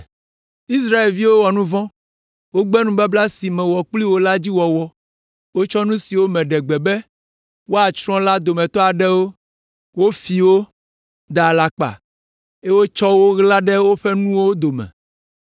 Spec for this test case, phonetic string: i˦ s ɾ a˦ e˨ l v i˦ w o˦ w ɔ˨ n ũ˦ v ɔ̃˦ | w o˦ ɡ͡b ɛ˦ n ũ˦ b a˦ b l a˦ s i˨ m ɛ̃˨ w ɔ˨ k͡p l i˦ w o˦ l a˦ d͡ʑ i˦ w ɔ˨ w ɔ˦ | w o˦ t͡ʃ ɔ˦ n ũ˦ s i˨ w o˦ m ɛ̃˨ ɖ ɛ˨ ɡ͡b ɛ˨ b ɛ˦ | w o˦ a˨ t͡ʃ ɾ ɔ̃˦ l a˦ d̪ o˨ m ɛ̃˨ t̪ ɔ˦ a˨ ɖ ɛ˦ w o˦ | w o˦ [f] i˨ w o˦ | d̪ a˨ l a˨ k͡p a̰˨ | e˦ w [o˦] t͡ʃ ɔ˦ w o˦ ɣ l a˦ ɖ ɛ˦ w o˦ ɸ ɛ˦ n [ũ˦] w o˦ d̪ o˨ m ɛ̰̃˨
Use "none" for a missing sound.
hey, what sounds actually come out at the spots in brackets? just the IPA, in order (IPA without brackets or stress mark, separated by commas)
f, o˦, ũ˦